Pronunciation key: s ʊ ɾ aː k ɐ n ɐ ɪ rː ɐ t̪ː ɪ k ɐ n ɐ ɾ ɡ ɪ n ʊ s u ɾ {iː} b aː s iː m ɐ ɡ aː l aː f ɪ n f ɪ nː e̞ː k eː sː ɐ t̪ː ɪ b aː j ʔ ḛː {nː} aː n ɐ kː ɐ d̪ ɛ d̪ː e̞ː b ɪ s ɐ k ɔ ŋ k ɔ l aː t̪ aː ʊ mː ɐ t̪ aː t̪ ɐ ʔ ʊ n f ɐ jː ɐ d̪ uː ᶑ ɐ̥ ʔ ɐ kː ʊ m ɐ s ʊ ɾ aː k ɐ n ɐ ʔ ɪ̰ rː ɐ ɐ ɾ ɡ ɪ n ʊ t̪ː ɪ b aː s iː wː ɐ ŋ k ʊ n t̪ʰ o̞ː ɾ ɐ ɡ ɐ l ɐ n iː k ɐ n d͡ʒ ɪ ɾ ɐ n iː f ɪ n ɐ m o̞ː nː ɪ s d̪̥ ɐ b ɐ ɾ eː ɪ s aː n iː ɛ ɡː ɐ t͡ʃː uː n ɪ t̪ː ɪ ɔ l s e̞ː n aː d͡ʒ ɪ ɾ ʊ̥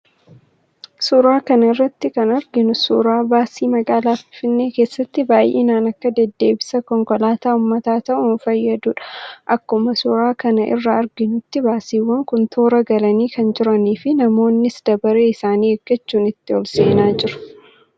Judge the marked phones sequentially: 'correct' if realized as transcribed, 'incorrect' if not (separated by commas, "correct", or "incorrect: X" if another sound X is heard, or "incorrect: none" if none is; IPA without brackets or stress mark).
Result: incorrect: aː, incorrect: n